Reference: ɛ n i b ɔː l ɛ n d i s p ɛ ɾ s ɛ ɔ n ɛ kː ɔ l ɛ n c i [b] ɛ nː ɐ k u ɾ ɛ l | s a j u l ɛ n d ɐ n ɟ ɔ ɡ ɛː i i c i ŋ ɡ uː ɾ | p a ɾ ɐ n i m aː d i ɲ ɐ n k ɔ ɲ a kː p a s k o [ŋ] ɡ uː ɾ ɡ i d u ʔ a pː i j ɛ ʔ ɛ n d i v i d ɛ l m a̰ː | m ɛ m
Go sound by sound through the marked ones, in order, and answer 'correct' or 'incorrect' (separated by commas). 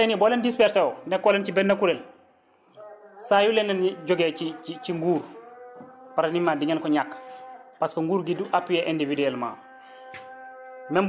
correct, correct